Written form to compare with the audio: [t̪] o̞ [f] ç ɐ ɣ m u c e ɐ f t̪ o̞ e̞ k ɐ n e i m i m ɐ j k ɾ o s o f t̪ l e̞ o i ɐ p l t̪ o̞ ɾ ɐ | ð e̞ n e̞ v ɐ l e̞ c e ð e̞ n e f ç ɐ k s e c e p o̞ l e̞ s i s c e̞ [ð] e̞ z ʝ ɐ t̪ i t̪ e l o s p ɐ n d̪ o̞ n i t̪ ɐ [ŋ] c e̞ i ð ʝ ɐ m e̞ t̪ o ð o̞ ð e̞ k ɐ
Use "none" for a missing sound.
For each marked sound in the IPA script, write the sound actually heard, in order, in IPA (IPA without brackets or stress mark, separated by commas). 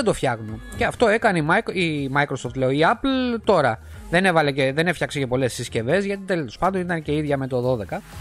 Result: d̪, f, v, n